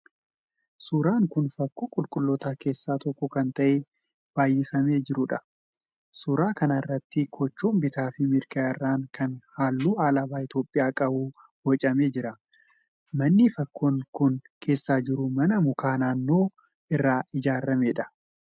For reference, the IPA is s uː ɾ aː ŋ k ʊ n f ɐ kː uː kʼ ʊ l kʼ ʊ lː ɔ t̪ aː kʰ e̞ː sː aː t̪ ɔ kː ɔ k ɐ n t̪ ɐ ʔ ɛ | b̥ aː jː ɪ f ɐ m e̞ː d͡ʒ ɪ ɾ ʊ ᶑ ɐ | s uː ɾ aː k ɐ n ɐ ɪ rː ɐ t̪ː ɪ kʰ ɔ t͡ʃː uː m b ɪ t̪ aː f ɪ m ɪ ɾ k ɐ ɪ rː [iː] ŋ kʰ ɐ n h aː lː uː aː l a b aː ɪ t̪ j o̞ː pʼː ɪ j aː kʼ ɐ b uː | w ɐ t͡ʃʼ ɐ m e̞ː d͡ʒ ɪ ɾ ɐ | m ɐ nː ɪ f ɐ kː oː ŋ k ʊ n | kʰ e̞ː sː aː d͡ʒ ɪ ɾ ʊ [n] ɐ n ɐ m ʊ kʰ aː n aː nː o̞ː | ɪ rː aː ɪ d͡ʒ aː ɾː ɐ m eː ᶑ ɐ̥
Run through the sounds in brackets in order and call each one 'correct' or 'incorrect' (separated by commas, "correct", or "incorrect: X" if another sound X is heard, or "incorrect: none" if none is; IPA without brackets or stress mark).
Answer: incorrect: aː, incorrect: m